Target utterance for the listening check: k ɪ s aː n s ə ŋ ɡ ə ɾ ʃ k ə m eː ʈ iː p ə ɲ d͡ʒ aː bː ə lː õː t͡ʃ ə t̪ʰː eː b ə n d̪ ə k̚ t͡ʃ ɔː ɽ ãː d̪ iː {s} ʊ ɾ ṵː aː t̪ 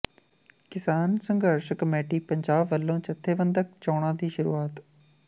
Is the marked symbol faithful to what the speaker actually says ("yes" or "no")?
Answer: no